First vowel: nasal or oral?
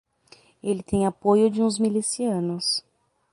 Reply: oral